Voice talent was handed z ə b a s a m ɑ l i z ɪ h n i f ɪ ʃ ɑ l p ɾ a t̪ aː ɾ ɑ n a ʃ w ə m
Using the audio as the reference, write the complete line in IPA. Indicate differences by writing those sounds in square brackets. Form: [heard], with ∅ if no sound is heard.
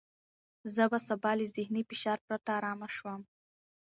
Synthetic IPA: z ə b a s a [b] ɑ l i z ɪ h n i f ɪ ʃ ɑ [ɾ] p ɾ a t̪ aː ɾ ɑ [m] a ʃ w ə m